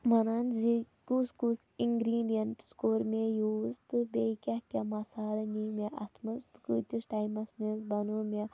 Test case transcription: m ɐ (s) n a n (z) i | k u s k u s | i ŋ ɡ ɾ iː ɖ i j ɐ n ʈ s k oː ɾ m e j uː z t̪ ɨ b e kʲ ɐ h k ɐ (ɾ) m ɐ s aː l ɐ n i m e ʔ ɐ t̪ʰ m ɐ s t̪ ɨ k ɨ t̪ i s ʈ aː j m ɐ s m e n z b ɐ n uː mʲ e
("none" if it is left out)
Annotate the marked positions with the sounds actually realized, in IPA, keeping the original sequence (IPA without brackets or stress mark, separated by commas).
none, z, none